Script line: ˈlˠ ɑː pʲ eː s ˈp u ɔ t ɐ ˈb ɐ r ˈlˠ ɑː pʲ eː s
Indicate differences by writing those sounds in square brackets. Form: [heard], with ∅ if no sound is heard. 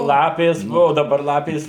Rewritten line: ˈlˠ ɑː pʲ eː s [ˈb] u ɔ [d] ɐ ˈb ɐ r ˈlˠ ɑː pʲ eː s

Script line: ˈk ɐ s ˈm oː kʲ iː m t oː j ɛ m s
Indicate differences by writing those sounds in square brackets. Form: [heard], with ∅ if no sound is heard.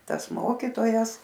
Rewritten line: [ˈt] ɐ s ˈm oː kʲ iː [∅] t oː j ɛ [∅] s

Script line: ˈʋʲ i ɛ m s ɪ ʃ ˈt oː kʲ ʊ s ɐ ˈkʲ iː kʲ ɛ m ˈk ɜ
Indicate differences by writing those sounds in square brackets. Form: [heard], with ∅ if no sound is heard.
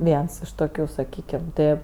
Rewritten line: ˈʋʲ i ɛ [n] s ɪ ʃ ˈt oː kʲ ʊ s ɐ ˈkʲ iː kʲ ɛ m [ˈt] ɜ

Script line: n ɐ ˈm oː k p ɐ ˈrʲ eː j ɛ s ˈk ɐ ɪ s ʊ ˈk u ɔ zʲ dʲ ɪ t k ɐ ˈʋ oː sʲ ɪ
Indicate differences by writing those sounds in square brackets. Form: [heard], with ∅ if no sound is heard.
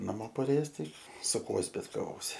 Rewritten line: n ɐ ˈm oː [∅] p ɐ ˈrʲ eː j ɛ s [ˈt] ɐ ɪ s ʊ ˈk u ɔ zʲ [bʲ] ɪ t k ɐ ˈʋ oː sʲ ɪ

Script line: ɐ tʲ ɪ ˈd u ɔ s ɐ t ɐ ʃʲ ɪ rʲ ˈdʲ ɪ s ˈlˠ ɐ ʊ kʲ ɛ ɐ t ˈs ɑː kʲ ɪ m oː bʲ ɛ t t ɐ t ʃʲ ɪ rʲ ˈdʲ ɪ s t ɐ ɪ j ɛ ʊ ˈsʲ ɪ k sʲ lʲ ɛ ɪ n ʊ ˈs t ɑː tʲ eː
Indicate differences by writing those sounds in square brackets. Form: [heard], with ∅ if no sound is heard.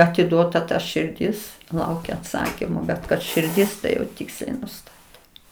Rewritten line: ɐ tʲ ɪ ˈd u ɔ [t] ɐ t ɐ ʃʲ ɪ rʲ ˈdʲ ɪ s ˈlˠ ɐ ʊ kʲ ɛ ɐ t ˈs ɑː kʲ ɪ m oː bʲ ɛ t [k] ɐ t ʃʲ ɪ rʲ ˈdʲ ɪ s t ɐ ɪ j ɛ ʊ [ˈtʲ] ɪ k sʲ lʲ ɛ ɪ n ʊ ˈs t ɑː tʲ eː

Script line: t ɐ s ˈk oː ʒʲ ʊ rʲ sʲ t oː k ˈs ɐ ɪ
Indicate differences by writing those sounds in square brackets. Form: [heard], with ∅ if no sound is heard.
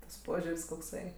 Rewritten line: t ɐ s [ˈp] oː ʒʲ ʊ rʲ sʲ [k] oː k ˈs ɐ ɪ

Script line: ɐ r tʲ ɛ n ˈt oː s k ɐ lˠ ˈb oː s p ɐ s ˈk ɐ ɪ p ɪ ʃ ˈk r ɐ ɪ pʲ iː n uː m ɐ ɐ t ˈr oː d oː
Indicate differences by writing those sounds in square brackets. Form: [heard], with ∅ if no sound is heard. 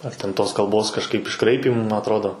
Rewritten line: ɐ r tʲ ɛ n ˈt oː s k ɐ lˠ ˈb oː s [k] ɐ [ʃ] ˈk ɐ ɪ p ɪ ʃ ˈk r ɐ ɪ pʲ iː [m] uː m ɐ ɐ t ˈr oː d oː

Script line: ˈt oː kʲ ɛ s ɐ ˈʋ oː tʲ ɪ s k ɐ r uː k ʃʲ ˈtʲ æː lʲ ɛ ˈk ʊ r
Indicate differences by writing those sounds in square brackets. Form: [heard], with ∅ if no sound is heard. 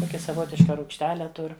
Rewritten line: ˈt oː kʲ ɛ s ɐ ˈʋ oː tʲ ɪ [ʃ] k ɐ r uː k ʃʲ ˈtʲ æː lʲ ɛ [ˈt] ʊ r

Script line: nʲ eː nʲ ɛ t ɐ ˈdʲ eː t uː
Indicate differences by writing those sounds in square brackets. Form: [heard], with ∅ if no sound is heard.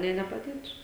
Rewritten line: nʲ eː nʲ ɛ [p] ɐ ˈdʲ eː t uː

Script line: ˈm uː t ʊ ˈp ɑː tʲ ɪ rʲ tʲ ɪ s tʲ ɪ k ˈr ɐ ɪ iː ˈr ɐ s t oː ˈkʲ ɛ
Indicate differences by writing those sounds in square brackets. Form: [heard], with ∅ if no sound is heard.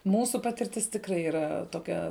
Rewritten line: ˈm uː [s] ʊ ˈp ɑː tʲ ɪ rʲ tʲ ɪ s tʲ ɪ k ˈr ɐ ɪ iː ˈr ɐ [∅] t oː ˈkʲ ɛ

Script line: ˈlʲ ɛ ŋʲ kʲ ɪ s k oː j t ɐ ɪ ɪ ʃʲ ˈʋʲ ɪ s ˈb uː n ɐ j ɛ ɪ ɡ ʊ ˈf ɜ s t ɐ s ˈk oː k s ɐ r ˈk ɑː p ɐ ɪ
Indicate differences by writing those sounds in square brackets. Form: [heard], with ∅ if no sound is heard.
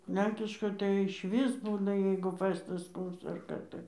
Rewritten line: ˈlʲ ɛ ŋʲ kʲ ɪ [ʃ] k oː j t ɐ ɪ ɪ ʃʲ ˈʋʲ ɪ s ˈb uː n ɐ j ɛ ɪ ɡ ʊ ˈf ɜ s t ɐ s ˈk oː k s ɐ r ˈk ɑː [t] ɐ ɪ

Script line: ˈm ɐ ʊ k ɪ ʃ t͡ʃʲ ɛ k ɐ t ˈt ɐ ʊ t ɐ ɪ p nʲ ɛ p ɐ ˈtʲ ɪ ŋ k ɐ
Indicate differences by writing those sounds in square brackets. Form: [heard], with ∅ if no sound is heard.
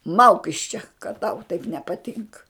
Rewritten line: ˈm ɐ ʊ k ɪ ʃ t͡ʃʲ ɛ k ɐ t ˈt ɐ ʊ t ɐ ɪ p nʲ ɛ p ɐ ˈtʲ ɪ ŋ k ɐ

